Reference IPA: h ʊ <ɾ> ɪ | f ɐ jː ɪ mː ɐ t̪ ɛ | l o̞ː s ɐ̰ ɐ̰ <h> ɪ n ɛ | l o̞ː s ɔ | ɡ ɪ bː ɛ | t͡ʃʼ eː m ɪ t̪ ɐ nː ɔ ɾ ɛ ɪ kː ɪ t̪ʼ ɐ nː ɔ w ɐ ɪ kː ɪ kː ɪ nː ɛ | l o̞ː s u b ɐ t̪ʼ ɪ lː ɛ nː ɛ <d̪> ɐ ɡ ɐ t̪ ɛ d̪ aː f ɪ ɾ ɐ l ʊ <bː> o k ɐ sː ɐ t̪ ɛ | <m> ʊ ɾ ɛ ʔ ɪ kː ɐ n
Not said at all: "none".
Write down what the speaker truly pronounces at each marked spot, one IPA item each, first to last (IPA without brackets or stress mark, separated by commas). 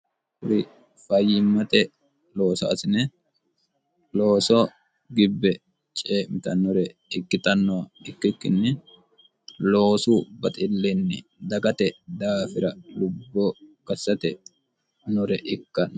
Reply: ɾ, s, d̪, bː, n